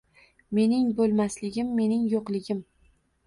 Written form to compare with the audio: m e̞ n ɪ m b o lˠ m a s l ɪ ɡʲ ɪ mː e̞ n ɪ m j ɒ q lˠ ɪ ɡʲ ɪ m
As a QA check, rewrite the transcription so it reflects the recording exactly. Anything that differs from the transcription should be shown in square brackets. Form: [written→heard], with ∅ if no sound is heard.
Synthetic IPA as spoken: m e̞ n ɪ [m→ŋ] b o lˠ m a s l ɪ ɡʲ ɪ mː e̞ n ɪ [m→ŋ] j [ɒ→o] q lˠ ɪ ɡʲ ɪ m